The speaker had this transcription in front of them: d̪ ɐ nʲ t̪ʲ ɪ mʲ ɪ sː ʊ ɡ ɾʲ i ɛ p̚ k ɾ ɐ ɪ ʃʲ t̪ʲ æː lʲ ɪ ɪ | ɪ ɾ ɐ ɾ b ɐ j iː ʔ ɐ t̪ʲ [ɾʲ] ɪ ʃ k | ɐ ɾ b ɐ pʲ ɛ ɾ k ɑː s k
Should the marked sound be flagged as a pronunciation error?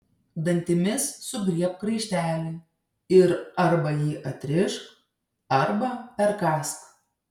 no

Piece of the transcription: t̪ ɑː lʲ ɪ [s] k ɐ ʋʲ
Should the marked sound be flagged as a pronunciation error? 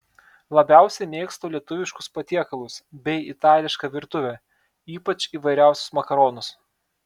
yes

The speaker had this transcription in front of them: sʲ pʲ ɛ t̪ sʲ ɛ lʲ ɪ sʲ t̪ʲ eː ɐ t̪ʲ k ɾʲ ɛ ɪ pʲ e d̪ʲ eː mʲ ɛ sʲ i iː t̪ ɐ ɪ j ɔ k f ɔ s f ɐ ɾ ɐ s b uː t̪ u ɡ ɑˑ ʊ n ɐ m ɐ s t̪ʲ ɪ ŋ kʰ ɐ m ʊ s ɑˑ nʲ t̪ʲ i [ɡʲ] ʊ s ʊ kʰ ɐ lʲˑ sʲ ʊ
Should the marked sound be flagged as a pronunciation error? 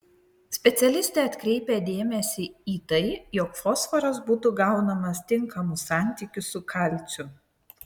yes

